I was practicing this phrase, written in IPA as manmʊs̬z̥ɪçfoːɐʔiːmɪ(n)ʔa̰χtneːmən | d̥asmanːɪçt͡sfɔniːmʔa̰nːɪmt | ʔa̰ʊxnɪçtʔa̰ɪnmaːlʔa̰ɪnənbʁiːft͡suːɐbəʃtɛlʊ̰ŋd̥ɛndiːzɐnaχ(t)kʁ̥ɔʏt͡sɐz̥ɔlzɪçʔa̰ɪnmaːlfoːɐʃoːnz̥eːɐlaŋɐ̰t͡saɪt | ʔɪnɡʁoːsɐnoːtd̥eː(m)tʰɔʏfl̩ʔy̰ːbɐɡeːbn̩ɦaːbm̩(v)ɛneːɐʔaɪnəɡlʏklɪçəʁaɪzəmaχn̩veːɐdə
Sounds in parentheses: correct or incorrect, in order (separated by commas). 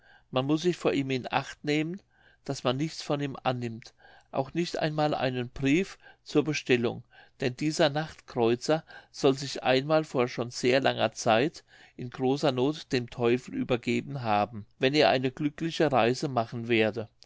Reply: correct, correct, correct, correct